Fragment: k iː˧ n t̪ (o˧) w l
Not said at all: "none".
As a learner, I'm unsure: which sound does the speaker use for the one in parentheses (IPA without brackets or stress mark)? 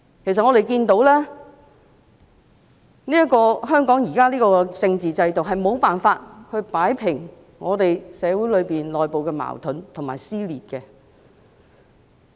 o˨˥